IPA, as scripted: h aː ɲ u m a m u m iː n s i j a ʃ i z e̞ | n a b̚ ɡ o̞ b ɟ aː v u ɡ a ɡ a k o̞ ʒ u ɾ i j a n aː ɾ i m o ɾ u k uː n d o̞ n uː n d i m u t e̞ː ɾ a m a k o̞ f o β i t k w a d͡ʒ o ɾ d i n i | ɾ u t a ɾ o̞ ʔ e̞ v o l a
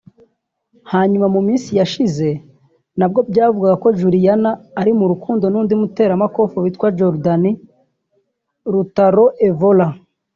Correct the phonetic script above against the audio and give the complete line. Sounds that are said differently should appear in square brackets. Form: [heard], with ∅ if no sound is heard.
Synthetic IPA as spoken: h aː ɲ u m a m u m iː n s i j a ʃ i z e̞ | n a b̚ ɡ o̞ b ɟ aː v u ɡ a ɡ a k o̞ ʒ u ɾ i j a n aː ɾ i m [u] ɾ u k uː n d o̞ n uː n d i m u t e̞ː ɾ a m a k o̞ f o β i t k w a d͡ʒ o ɾ d [a] n i | ɾ u t a ɾ o̞ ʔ e̞ v o l a